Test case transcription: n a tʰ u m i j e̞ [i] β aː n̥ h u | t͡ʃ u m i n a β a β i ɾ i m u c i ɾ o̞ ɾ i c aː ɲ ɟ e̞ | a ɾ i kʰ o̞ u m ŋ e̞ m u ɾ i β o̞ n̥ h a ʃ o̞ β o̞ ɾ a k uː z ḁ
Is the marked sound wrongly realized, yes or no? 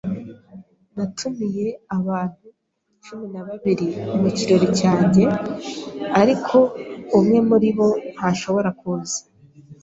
yes